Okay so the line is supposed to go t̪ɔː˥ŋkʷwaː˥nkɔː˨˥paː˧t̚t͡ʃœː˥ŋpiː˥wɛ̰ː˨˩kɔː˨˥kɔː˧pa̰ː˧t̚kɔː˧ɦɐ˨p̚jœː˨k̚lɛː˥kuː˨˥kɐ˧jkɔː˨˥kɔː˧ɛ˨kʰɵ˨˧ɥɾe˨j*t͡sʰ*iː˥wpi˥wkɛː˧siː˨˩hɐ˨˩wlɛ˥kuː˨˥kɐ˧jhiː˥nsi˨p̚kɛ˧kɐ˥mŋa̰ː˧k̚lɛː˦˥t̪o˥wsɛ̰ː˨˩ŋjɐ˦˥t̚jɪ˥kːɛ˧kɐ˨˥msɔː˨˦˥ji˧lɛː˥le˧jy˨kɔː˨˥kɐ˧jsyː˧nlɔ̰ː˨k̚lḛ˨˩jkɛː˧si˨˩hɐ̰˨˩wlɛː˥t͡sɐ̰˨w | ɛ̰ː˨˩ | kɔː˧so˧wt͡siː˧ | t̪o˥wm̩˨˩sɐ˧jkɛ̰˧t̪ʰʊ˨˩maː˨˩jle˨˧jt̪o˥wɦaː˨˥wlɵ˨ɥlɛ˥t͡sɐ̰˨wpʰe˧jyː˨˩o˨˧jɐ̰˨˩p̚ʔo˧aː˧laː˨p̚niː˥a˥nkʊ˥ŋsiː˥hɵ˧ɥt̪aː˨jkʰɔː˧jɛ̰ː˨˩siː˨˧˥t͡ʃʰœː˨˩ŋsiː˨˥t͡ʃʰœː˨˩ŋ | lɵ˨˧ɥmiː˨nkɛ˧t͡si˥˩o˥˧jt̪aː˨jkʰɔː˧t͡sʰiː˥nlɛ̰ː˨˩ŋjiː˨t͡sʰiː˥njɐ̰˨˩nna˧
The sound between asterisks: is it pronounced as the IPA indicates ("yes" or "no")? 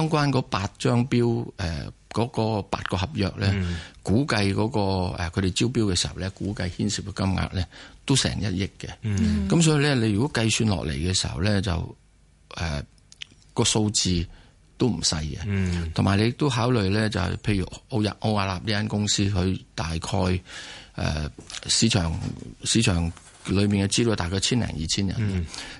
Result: no